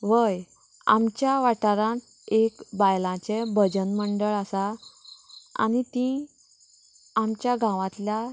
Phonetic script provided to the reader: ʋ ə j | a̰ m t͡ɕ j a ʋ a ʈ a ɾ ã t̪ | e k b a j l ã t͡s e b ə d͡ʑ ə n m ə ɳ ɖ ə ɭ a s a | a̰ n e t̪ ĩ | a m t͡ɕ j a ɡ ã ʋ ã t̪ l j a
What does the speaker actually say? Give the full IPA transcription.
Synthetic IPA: ʋ ə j | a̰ m t͡ɕ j a ʋ a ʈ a ɾ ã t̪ | e k b a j l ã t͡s e b ə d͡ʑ ə n m ə ɳ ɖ ə ɭ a s a | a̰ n i t̪ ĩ | a m t͡ɕ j a ɡ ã ʋ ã t̪ l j a